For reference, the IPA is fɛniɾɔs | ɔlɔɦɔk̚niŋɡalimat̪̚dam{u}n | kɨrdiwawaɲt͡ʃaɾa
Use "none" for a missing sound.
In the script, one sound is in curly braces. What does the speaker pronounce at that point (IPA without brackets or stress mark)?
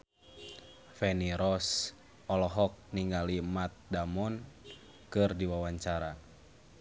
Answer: ɔ